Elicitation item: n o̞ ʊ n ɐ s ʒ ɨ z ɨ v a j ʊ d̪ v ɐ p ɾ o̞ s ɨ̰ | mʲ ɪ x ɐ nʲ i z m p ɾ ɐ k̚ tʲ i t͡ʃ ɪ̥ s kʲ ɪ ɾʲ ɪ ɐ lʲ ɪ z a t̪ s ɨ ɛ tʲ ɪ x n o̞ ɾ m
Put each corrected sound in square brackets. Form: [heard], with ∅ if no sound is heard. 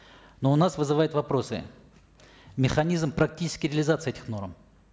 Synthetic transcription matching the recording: n o̞ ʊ n [a] s [v] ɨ z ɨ v a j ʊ [t̪] v ɐ p ɾ o̞ s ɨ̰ | mʲ ɪ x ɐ nʲ i z m p ɾ ɐ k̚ tʲ i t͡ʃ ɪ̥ s kʲ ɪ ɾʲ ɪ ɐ lʲ ɪ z a t̪ s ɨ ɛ tʲ ɪ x n o̞ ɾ m